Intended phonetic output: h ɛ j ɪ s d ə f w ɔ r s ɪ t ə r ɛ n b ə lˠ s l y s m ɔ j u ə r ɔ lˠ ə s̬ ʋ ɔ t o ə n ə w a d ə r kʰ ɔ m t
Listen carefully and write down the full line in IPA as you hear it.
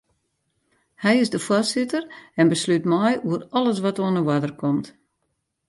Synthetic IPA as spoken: h ɛ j ɪ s d ə f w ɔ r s ɪ t ə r ɛ n b ə s l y t m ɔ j u ə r ɔ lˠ ə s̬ ʋ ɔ t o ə n ə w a d ə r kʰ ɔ m t